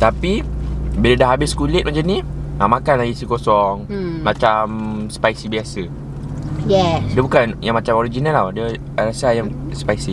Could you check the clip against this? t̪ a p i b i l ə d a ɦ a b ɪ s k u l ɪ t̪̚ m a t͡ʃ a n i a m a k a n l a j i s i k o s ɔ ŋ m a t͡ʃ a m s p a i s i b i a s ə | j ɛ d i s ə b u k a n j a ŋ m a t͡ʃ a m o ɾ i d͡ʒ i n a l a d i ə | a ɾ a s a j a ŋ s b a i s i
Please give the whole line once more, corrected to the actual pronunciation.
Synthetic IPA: t̪ a p i b i l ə d a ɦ a b ɪ s k u l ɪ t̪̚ m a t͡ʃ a n i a m a k a n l a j i s i k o s ɔ ŋ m a t͡ʃ a m s p a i s i b i a s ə | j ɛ d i ə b u k a n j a ŋ m a t͡ʃ a m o ɾ i d͡ʒ i n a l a d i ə | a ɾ a s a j a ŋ s p a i s i

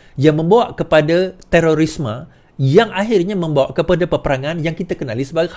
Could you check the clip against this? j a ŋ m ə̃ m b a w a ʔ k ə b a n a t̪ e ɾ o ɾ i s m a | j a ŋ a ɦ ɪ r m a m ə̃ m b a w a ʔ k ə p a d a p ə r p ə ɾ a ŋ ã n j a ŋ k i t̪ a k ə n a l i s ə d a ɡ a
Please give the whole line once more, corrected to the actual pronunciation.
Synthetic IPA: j a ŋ m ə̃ m b a w a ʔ k ə p a d a t̪ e ɾ o ɾ i s m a | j a ŋ a ɦ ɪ r ɲ a m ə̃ m b a w a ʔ k ə p a d a p ə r p ə ɾ a ŋ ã n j a ŋ k i t̪ a k ə n a l i s ə b a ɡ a

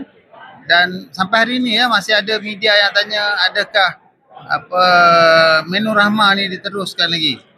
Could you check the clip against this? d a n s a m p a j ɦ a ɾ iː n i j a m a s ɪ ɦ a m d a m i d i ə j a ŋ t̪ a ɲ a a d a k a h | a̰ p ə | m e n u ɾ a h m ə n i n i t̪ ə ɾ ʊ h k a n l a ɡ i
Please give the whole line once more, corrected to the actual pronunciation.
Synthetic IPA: d a n s a m p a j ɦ a ɾ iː n i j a m a s ɪ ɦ a d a m i d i a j a ŋ t̪ a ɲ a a d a k a h | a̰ p ə | m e n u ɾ a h m a n i d i t̪ ə ɾ ʊ s k a n l a ɡ i

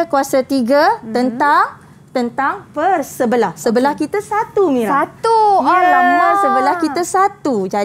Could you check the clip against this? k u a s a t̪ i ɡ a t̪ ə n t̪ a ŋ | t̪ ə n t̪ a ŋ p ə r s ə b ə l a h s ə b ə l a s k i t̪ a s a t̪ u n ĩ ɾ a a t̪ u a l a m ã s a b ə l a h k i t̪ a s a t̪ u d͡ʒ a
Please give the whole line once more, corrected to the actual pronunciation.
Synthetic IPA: k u a s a t̪ i ɡ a t̪ ə n t̪ a ŋ | t̪ ə n t̪ a ŋ p ə r s ə b ə l a h s ə b ə l a h k i t̪ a s a t̪ u m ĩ ɾ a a t̪ u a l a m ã s ə b ə l a h k i t̪ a s a t̪ u d͡ʒ a

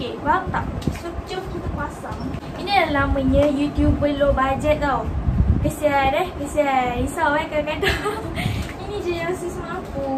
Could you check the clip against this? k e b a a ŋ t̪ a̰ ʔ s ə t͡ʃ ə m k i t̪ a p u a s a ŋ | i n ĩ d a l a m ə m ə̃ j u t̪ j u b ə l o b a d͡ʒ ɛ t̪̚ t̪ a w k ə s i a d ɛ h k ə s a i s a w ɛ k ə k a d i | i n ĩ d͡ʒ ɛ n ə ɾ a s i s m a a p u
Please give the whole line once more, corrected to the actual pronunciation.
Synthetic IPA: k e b a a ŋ t̪ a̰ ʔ s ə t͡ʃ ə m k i t̪ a k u a s a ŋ | i n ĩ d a l a m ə ɲ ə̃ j u t̪ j u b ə l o b a d͡ʒ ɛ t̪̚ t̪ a w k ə s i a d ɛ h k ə s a i s a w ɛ k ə k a d a | i n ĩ d͡ʒ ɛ n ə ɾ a s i s m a a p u

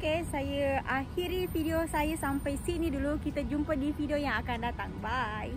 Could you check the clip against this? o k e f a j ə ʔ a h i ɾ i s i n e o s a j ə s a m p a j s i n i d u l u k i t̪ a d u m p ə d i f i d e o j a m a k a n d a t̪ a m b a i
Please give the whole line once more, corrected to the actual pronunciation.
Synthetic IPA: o k e s a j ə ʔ a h i ɾ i f i d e o s a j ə s a m p a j s i n i d u l u k i t̪ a d͡ʒ u m p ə d i f i d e o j a ŋ a k a n d a t̪ a ŋ b a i

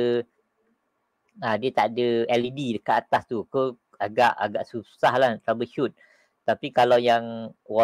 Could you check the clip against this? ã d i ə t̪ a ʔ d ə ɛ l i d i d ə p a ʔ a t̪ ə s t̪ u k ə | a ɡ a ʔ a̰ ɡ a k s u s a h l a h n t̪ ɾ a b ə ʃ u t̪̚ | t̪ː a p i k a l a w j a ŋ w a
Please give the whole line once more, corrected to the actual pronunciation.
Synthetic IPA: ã d i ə t̪ a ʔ d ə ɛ l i d i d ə k a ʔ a t̪ a s t̪ u k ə | a ɡ a ʔ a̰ ɡ a ʔ s u s a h l a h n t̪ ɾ a b ə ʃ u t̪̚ | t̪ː a p i k a l a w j a ŋ w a

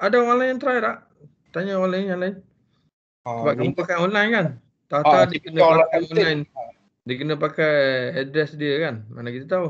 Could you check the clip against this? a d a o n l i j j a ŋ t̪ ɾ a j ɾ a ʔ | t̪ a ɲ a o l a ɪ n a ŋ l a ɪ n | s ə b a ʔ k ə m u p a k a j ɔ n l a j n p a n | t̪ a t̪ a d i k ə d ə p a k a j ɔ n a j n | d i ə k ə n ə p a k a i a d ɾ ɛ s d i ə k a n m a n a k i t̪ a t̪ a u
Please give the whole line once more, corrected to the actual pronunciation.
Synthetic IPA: a d a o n l a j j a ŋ t̪ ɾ a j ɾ a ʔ | t̪ a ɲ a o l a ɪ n a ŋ l a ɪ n | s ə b a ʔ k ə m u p a k a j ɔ n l a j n k a n | t̪ a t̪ a d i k ə n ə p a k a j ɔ n a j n | d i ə k ə n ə p a k a j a d ɾ ɛ s d i ə k a n m a n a k i t̪ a t̪ a u

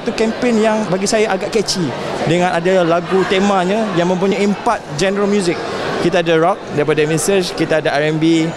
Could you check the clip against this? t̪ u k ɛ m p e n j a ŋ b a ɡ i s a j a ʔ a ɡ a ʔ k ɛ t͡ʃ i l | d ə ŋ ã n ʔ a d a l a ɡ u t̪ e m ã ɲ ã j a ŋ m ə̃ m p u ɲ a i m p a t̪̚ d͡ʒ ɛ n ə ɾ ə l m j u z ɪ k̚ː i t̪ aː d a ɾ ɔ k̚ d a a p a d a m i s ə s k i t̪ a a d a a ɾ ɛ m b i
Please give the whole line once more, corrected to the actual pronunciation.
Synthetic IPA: t̪ u k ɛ m p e n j a ŋ b a ɡ i s a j a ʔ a ɡ a ʔ k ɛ t͡ʃ i | d ə ŋ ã n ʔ a d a l a ɡ u t̪ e m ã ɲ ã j a ŋ m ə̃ m p u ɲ a i m p a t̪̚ d͡ʒ ɛ n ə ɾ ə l m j u z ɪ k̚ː i t̪ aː d a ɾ ɔ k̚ d a i p a d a m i s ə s k i t̪ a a d a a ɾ ɛ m b i

